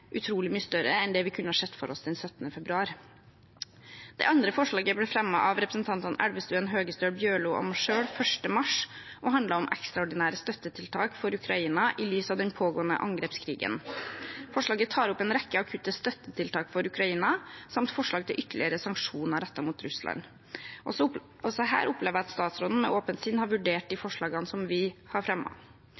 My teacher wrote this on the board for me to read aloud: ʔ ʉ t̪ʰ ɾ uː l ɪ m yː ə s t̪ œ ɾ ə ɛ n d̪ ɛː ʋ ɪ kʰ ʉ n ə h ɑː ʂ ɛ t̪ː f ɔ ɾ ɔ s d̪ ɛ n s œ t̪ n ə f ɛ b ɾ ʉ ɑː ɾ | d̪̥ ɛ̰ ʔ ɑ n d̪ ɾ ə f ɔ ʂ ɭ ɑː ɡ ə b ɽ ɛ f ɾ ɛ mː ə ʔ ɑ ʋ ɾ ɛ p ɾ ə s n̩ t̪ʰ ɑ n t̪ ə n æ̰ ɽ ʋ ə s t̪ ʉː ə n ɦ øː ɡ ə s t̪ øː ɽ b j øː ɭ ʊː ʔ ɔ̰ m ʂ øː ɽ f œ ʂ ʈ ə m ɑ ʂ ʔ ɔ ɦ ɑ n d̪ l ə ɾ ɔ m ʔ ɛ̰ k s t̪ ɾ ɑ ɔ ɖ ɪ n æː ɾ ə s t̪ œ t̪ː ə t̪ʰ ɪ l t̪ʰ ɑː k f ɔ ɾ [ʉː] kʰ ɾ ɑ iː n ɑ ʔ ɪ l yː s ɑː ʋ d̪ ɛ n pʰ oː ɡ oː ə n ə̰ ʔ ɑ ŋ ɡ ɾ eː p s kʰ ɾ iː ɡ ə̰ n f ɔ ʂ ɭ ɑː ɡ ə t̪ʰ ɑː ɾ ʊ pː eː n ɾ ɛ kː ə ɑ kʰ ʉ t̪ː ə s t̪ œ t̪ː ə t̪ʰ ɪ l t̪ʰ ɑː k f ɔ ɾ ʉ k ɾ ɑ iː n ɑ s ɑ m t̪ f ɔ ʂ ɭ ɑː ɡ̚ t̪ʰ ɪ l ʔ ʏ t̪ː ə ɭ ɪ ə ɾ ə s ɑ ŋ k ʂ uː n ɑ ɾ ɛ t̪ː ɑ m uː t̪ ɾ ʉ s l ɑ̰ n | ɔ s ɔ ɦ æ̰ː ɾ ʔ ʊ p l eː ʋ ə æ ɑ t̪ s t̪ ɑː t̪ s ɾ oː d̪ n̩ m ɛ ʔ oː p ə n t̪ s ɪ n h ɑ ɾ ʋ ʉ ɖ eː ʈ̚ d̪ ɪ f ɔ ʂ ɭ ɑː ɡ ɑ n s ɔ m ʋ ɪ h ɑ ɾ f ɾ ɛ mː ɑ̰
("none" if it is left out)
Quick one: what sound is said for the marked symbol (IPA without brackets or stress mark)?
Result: ʉ